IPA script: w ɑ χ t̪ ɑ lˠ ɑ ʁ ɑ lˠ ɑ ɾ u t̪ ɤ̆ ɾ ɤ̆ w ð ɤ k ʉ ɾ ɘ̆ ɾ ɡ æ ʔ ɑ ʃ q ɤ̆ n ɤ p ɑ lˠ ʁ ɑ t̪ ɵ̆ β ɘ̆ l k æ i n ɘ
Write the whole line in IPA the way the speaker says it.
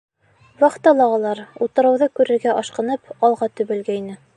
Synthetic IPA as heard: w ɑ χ t̪ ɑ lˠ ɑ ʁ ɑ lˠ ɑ ɾ u t̪ ɤ̆ ɾ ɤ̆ w ð ɤ k ʉ ɾ ɘ̆ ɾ ɡ æ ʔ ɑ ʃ q ɤ̆ n ɤ p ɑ lˠ ʁ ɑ t̪ ɵ̆ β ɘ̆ l ɡ æ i n ɘ

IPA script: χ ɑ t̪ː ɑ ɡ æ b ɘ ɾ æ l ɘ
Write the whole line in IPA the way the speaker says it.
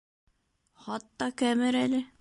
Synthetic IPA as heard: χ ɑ t̪ː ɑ k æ m ɘ ɾ æ l ɘ

